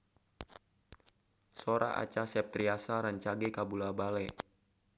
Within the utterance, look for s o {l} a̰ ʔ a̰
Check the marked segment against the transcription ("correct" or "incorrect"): incorrect